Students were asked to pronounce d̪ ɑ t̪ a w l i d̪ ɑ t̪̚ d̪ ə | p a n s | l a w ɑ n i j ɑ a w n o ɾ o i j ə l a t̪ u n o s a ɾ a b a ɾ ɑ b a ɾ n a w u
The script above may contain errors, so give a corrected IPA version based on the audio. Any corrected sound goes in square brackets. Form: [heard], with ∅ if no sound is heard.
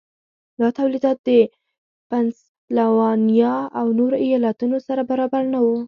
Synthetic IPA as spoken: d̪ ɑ t̪ a w l i d̪ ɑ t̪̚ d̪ ə | p a n s | l a w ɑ n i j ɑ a w n o ɾ o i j [ɑ] l a t̪ u n o s a ɾ a b a ɾ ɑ b a ɾ n a w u